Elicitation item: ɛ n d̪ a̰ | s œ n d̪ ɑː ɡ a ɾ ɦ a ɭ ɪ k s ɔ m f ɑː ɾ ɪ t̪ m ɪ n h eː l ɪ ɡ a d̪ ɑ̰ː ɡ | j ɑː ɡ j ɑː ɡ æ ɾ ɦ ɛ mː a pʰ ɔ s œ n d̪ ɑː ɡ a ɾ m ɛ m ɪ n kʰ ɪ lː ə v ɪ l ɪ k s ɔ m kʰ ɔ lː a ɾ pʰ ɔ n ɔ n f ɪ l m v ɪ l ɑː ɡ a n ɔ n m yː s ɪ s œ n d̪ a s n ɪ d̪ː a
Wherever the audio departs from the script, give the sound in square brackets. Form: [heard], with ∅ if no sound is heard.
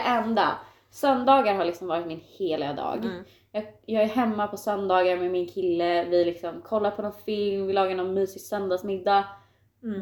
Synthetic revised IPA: ɛ n d̪ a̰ | s œ n d̪ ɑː ɡ a ɾ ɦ a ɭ ɪ k s ɔ m [v] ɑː ɾ ɪ t̪ m ɪ n h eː l ɪ ɡ a d̪ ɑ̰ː ɡ | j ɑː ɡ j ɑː ɡ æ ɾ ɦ ɛ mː a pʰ ɔ s œ n d̪ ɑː ɡ a ɾ m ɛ m ɪ n kʰ ɪ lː ə v ɪ l ɪ k s ɔ m kʰ ɔ lː a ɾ pʰ ɔ n ɔ n f ɪ l m v ɪ l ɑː ɡ a n ɔ n m yː s ɪ s œ n d̪ a s [m] ɪ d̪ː a